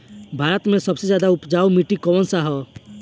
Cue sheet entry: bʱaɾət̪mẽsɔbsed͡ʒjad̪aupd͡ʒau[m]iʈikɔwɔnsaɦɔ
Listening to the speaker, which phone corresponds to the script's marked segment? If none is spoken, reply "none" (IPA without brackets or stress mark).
m